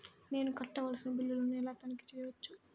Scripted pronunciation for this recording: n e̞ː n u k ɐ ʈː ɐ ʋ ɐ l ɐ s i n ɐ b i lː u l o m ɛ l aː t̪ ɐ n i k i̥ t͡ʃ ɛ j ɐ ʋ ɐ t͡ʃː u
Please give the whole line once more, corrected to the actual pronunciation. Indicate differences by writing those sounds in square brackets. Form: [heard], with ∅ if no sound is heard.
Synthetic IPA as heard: n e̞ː n u k ɐ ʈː ɐ ʋ ɐ l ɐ s i n ɐ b i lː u l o [n] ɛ l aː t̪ ɐ n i k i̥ t͡ʃ ɛ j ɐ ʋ ɐ t͡ʃː u